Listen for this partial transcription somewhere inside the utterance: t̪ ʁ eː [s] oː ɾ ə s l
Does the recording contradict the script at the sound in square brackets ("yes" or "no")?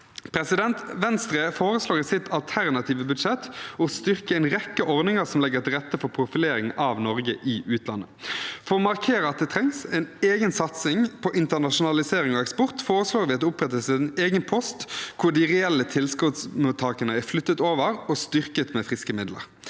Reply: yes